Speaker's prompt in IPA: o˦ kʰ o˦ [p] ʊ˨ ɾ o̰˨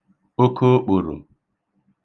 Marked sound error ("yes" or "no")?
yes